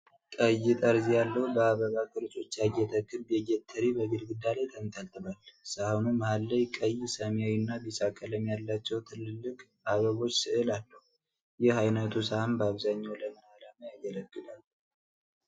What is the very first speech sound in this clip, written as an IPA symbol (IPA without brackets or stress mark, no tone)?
kʼ